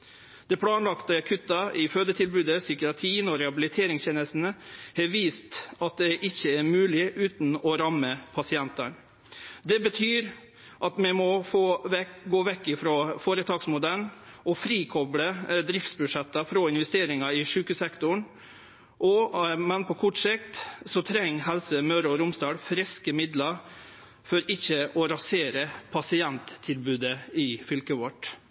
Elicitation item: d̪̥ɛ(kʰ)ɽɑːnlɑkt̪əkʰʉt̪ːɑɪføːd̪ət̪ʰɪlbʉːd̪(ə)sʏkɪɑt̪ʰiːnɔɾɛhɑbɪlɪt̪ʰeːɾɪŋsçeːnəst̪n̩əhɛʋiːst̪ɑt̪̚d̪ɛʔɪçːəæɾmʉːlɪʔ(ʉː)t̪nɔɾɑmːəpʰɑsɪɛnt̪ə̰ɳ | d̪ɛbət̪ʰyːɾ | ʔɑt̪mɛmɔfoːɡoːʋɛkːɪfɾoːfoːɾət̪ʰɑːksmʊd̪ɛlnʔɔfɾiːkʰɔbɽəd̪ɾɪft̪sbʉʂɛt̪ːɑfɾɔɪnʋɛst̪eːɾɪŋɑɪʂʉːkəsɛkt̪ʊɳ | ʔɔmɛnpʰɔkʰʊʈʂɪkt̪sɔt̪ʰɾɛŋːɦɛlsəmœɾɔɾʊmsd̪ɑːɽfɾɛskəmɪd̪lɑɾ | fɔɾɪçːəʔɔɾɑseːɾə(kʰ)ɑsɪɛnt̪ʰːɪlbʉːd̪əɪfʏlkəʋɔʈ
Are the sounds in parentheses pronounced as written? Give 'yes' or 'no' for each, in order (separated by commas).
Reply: no, yes, yes, no